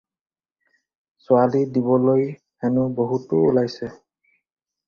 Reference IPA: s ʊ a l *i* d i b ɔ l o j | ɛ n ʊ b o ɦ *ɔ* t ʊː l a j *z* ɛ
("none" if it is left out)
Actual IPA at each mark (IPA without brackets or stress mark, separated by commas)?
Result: i, u, s